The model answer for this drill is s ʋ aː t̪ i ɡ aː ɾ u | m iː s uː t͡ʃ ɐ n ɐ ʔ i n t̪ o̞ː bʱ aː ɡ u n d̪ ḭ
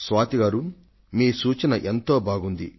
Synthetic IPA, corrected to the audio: s ʋ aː t̪ i ɡ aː ɾ u | m iː s uː t͡ʃ ɐ n ɐ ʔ e n t̪ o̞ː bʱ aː ɡ u n d̪ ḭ

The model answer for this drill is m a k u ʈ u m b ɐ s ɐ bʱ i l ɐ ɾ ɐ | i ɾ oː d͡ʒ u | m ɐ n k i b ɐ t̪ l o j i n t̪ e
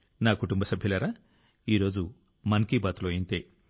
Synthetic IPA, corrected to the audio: n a k u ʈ u m b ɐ s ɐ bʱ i l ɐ ɾ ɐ | i ɾ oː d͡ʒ u | m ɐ n k i b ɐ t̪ l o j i n t̪ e

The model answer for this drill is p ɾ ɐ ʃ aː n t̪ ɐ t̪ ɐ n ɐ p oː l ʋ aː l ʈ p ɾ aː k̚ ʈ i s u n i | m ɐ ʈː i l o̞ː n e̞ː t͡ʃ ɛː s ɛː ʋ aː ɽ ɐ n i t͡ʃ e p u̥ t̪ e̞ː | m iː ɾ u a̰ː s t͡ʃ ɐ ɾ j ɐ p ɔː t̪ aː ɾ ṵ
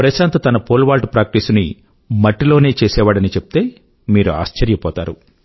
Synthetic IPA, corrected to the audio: p ɾ ɐ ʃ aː n t̪ ɐ t̪ ɐ n ɐ p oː l ʋ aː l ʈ p ɾ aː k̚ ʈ i s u n i | m ɐ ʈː i l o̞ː n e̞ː t͡ʃ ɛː s ɛː ʋ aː ɽ ɐ n i t͡ʃ e p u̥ t̪ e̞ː | m iː ɾ u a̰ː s t͡ʃ ɐ ɾ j ɐ p ɔː t̪ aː ɾ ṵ

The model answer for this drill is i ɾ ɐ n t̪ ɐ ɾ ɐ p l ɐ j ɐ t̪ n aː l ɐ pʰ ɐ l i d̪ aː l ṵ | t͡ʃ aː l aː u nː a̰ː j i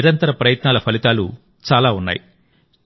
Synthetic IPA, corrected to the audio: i ɾ ɐ n t̪ ɐ ɾ ɐ p ɾ ɐ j ɐ t̪ n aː l ɐ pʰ ɐ l i t̪ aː l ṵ | t͡ʃ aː l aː u nː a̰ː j i

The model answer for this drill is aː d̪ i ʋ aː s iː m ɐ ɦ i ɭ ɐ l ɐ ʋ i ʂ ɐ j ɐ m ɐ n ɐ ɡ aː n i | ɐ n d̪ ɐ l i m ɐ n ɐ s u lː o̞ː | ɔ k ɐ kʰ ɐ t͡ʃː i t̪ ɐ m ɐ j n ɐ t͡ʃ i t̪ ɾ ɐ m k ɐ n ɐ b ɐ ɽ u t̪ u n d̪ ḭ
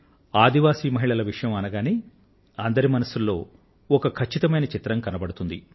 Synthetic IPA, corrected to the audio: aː d̪ i ʋ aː s iː m ɐ ɦ i ɭ ɐ l ɐ ʋ i ʂ ɐ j ɐ m ɐ n ɐ ɡ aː n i | ɐ n d̪ ɐ ɾ i m ɐ n ɐ s u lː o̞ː | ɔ k ɐ kʰ ɐ t͡ʃː i t̪ ɐ m ɐ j n ɐ t͡ʃ i t̪ ɾ ɐ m k ɐ n ɐ b ɐ ɽ u t̪ u n d̪ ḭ

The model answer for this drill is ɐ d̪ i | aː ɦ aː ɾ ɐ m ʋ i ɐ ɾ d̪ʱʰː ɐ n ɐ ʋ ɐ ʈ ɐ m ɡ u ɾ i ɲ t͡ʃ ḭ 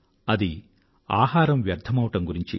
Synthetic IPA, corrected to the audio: ɐ d̪ i | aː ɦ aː ɾ ɐ m ʋ j ɐ ɾ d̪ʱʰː ɐ m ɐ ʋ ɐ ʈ ɐ m ɡ u ɾ i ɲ t͡ʃ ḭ

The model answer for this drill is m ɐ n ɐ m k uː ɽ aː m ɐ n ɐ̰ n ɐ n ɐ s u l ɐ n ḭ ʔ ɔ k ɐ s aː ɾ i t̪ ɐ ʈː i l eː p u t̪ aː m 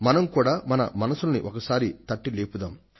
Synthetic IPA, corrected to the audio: m ɐ n ɐ m k uː ɽ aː m ɐ n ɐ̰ m ɐ n ɐ s u l ɐ n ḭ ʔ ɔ k ɐ s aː ɾ i t̪ ɐ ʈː i l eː p u d̪ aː m

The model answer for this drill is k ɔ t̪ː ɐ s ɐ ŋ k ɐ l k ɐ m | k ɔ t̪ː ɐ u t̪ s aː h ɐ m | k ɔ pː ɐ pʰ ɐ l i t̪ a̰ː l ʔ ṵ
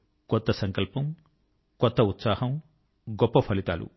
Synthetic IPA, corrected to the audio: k ɔ t̪ː ɐ s ɐ ŋ k ɐ l p ɐ m | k ɔ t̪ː ɐ u t̪ s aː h ɐ m | ɡ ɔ pː ɐ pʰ ɐ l i t̪ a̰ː l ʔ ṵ

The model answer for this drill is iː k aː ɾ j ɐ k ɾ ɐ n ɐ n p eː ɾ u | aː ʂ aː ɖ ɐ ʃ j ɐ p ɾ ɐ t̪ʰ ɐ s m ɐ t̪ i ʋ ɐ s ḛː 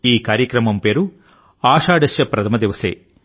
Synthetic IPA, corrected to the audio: iː k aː ɾ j ɐ k ɾ ɐ m ɐ m p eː ɾ u | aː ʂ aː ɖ ɐ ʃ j ɐ p ɾ ɐ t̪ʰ ɐ m ɐ d̪ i ʋ ɐ s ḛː

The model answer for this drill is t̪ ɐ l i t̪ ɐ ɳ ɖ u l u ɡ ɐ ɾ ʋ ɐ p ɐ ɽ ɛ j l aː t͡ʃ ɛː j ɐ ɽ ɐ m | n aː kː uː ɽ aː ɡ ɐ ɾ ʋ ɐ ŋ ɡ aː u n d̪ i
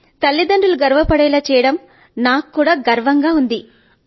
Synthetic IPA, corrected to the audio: t̪ ɐ lː i d̪ ɐ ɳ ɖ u l u ɡ ɐ ɾ ʋ ɐ p ɐ ɽ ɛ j l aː t͡ʃ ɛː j ɐ ɽ ɐ m | n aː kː uː ɽ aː ɡ ɐ ɾ ʋ ɐ ŋ ɡ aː u n d̪ i

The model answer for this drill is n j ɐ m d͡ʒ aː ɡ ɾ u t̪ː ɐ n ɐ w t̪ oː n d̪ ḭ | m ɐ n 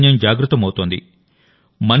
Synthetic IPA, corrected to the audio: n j ɐ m d͡ʒ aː ɡ ɾ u t̪ː ɐ m ɐ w t̪ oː n d̪ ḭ | m ɐ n

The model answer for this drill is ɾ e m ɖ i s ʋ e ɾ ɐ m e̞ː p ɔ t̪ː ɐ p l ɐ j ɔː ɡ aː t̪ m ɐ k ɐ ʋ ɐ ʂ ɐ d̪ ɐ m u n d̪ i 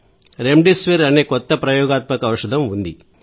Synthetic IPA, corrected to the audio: ɾ e m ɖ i s ʋ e ɾ ɐ n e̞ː k ɔ t̪ː ɐ p ɾ ɐ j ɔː ɡ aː t̪ m ɐ k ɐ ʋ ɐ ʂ ɐ d̪ ɐ m u n d̪ i

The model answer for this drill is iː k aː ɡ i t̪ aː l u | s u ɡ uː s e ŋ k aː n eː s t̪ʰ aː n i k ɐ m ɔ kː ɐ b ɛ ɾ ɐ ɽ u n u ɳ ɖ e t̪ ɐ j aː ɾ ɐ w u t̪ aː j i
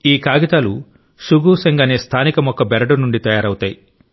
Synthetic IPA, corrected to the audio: iː k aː ɡ i t̪ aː l u | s u ɡ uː s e ŋ ɡ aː n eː s t̪ʰ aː n i k ɐ m ɔ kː ɐ b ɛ ɾ ɐ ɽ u n u ɳ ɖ i t̪ ɐ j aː ɾ ɐ w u t̪ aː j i

